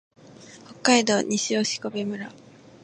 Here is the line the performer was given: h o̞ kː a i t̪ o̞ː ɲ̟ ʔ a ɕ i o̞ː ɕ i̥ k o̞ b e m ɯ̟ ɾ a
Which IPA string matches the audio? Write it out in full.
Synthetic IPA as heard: h o̞ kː a i d̪ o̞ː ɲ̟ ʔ i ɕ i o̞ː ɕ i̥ k o̞ b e m ɯ̟ ɾ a